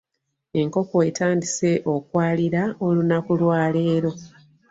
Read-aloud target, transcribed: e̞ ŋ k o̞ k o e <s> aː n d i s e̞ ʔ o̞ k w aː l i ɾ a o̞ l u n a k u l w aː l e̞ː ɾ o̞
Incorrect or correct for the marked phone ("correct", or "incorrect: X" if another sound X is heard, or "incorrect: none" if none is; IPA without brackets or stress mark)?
incorrect: t